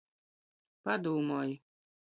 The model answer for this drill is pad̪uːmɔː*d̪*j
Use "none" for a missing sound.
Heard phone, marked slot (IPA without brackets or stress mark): none